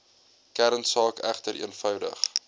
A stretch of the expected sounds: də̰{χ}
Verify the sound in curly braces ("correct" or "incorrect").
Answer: correct